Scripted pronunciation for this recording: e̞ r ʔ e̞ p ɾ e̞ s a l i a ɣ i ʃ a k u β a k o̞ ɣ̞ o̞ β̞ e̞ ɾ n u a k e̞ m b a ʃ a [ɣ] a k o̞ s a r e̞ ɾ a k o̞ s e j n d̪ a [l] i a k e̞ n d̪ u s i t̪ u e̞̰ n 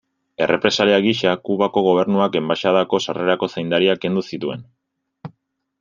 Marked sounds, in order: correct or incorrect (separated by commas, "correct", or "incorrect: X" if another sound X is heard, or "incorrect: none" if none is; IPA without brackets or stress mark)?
incorrect: ð, incorrect: ɾ